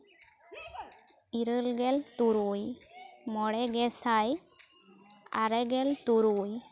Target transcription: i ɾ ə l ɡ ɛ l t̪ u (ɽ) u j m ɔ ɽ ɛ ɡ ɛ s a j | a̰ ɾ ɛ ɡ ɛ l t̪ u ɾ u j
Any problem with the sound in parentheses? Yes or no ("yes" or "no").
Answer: yes